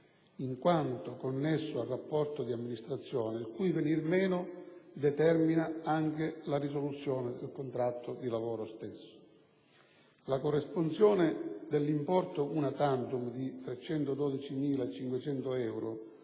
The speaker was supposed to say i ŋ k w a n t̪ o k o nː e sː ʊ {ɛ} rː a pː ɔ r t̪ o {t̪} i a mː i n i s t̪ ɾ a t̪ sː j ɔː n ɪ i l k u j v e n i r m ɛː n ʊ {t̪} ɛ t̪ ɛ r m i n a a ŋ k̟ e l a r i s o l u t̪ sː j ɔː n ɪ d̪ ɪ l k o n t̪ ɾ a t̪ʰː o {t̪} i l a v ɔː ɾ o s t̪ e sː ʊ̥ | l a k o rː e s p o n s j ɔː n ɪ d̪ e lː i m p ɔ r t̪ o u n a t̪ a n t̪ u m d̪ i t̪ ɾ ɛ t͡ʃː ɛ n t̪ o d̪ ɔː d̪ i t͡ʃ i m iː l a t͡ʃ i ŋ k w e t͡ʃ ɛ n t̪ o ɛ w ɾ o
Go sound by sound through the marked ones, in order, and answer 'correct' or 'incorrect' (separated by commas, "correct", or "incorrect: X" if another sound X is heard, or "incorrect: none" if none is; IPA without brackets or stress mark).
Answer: incorrect: a, incorrect: d̪, incorrect: d̪, incorrect: d̪